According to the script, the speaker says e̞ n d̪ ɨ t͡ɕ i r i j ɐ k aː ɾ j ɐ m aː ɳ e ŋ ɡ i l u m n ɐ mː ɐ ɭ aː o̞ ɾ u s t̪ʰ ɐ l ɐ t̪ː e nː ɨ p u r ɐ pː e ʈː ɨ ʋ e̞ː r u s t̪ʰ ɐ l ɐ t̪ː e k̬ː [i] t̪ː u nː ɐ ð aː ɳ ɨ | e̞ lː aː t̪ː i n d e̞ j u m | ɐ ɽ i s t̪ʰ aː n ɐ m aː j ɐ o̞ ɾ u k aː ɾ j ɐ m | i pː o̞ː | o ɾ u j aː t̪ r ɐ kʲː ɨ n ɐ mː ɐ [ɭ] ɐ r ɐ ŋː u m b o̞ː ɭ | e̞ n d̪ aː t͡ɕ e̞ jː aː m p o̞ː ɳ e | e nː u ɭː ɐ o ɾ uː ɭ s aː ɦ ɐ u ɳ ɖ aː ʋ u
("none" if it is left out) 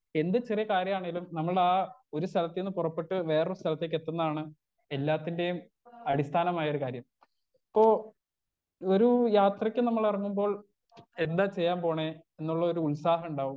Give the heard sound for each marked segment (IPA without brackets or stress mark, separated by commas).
e, ɭ